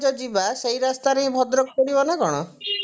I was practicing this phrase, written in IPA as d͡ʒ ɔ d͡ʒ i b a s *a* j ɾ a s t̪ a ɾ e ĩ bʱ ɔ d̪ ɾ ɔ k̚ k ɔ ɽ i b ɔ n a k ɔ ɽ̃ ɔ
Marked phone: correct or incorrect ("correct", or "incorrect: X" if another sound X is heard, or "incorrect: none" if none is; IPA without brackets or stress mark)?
incorrect: e